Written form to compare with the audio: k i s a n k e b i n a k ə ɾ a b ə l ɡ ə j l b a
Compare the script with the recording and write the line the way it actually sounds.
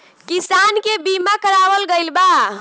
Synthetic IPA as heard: k i s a n k e b i m a k ə ɾ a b ə l ɡ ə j l b a